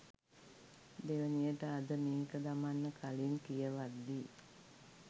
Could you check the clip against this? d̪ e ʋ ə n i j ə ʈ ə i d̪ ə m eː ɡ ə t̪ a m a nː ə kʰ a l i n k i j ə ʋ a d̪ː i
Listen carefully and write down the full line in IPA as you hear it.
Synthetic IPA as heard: d̪ e ʋ ə n i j ə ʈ ə a d̪ ə m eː k ə d̪ a m a nː ə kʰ a l i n k i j ə ʋ a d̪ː i